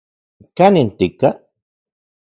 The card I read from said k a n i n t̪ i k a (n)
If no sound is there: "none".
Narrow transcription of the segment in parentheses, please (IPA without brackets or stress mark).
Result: none